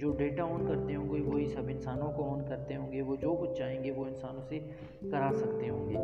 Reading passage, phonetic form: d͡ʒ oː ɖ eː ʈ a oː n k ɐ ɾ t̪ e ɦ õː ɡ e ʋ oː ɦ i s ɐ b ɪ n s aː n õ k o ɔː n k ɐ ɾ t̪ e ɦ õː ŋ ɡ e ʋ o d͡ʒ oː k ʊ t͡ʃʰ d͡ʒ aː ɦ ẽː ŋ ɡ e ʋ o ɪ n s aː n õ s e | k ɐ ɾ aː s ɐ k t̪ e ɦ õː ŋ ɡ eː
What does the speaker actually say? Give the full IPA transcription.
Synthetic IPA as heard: d͡ʒ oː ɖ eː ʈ a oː n k ɐ ɾ t̪ e ɦ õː ɡ e ʋ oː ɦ i s ɐ b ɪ n s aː n õ k o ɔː n k ɐ ɾ t̪ e ɦ õː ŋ ɡ e ʋ o d͡ʒ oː k ʊ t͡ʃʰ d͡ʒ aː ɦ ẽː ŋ ɡ e ʋ o ɪ n s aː n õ s e | k ɐ ɾ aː s ɐ k t̪ e ɦ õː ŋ ɡ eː